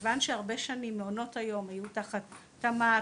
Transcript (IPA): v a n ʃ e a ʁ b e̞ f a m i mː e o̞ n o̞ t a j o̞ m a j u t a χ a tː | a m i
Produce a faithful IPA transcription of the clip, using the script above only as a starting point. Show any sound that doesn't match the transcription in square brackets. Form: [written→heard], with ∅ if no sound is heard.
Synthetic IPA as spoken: v a n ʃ e a ʁ b e̞ [f→ʃ] a [m→n] i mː e o̞ n o̞ t a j o̞ m a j u t a χ a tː | a m [i→a]